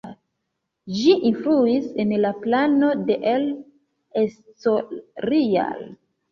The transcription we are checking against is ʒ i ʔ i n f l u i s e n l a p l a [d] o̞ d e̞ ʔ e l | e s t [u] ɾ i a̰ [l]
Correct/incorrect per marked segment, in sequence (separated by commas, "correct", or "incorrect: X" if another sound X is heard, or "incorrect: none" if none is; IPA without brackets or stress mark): incorrect: n, incorrect: o, correct